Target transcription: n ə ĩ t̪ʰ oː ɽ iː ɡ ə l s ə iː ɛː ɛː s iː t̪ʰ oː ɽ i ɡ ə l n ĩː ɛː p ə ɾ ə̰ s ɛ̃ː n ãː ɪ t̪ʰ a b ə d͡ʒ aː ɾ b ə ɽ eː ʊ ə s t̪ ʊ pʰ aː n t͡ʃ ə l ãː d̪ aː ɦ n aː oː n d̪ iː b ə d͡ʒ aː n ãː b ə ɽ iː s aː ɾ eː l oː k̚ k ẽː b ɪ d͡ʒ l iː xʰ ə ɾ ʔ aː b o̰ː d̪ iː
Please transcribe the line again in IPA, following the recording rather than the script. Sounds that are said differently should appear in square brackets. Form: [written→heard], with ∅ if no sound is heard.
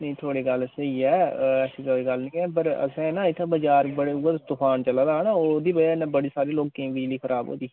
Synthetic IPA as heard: n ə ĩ t̪ʰ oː ɽ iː ɡ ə l s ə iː ɛː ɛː s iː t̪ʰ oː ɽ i ɡ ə l n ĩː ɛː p ə ɾ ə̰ s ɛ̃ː n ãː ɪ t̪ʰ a b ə d͡ʒ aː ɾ b ə ɽ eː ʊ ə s t̪ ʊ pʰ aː n t͡ʃ ə l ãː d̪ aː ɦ n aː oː [n→∅] d̪ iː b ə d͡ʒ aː n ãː b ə ɽ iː s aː ɾ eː l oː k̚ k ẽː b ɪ d͡ʒ l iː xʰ ə ɾ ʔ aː b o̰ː d̪ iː